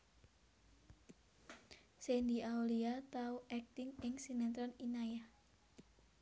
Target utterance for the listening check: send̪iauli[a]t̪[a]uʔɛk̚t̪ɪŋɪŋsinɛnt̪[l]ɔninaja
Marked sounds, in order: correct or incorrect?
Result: correct, correct, incorrect: ɾ

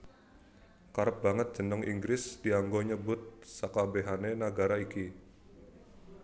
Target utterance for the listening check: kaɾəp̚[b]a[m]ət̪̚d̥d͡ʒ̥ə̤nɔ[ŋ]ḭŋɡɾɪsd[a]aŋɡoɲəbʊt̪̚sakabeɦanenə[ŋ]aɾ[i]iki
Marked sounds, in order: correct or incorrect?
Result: correct, incorrect: ŋ, correct, incorrect: i, incorrect: ɡ, incorrect: a

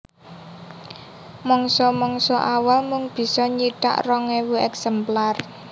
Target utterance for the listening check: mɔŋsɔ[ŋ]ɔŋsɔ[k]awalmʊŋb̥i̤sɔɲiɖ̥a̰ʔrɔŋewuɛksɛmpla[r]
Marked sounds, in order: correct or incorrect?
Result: incorrect: m, incorrect: ʔ, correct

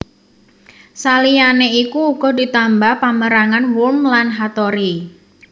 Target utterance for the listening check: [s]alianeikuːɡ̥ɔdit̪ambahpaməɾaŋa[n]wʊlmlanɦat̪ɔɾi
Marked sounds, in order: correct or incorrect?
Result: correct, correct

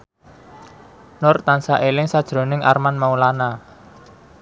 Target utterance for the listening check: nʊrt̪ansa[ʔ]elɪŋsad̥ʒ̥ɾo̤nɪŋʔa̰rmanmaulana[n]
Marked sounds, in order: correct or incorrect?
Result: correct, incorrect: none

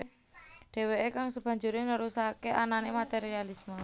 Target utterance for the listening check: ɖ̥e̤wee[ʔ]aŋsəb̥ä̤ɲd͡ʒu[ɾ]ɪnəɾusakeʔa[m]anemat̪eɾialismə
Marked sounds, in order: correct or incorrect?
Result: incorrect: k, correct, incorrect: n

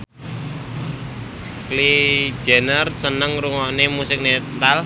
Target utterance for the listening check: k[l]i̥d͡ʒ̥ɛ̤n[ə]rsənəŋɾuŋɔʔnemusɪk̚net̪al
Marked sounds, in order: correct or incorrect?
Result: correct, correct

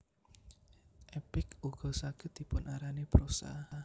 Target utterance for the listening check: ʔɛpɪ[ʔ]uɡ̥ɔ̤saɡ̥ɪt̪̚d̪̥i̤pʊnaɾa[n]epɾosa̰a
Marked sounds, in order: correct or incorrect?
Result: incorrect: k, correct

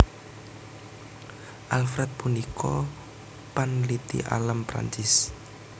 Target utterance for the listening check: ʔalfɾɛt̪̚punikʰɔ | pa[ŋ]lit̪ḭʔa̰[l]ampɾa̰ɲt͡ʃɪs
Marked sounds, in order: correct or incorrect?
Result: incorrect: n, correct

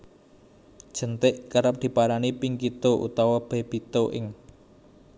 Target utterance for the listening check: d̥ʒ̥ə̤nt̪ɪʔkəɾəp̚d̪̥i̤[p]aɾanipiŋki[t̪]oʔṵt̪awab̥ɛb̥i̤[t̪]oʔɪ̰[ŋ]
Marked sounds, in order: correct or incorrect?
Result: correct, correct, correct, correct

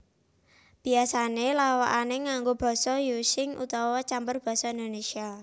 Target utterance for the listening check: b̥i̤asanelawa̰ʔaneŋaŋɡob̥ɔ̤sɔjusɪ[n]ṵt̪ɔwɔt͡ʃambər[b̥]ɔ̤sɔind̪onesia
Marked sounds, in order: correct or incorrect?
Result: incorrect: ŋ, correct

